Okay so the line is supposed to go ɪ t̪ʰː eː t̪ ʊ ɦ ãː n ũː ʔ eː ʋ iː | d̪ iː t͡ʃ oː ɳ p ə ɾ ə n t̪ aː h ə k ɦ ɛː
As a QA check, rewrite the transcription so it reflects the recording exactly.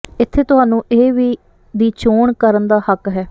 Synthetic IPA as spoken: ɪ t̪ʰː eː t̪ ʊ ɦ aː n ũː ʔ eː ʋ iː | d̪ iː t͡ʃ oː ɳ k ə ɾ ə n d̪ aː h ə k ɦ ɛː